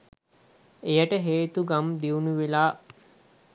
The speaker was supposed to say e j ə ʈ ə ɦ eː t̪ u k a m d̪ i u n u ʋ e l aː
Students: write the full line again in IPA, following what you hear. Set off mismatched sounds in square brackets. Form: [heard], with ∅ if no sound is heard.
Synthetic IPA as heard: e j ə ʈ ə ɦ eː t̪ u [ɡ] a m d̪ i u n u ʋ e l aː